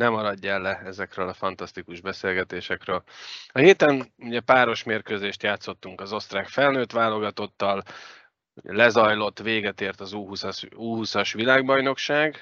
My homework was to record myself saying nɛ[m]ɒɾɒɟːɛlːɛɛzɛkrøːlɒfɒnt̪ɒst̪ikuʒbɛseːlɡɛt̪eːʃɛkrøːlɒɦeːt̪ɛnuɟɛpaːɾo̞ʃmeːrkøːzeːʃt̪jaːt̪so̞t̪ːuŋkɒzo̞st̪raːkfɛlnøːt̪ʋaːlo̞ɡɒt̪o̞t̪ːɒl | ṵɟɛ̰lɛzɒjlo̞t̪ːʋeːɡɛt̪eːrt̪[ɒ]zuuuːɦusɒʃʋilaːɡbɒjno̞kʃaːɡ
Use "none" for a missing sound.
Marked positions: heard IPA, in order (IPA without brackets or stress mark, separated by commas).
m, ɒ